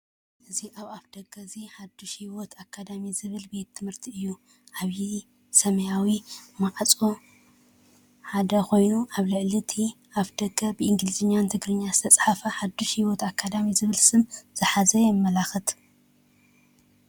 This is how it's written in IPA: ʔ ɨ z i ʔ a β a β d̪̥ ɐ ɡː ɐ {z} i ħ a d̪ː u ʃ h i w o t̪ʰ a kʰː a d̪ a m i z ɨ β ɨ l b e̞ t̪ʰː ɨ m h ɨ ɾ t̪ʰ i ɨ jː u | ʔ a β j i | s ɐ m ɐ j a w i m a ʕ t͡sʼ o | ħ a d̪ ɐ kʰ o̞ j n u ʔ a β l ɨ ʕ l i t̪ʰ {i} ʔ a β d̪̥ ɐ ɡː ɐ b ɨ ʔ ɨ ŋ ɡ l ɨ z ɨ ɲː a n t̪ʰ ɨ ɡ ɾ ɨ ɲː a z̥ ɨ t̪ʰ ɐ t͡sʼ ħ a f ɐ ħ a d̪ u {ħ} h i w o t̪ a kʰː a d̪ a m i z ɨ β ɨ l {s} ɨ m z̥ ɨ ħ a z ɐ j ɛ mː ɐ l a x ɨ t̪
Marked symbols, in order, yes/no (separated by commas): yes, yes, no, yes